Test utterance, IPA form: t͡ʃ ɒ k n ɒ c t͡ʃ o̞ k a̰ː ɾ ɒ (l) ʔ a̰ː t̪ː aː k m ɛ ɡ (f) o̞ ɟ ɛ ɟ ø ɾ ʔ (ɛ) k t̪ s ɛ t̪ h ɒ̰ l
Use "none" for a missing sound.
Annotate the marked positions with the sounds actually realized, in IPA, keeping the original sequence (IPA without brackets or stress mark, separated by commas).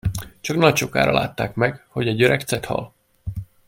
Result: l, h, ɛ